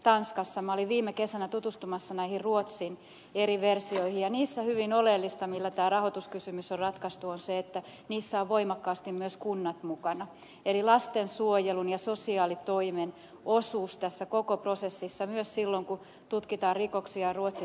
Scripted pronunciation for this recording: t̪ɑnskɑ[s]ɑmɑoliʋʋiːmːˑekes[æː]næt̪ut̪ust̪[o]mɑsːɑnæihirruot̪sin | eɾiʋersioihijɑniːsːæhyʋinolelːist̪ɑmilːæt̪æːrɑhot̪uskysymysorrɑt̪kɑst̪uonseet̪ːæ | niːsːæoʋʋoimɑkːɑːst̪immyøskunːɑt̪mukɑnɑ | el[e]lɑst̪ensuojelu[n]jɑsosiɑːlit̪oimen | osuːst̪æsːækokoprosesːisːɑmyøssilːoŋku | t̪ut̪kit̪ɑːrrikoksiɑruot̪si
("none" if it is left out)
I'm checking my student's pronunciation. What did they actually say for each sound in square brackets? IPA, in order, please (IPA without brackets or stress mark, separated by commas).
sː, æ, u, i, n